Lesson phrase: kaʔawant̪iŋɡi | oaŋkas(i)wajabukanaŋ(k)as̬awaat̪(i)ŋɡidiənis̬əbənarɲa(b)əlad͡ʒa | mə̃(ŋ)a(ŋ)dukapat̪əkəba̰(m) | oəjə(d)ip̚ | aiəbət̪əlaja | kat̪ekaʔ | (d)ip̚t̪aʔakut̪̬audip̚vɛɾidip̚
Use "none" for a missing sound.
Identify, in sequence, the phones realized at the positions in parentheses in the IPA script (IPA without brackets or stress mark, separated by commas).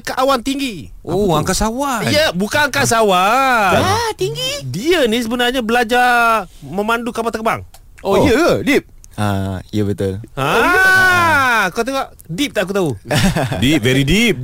a, k, i, b, m, n, ŋ, d, d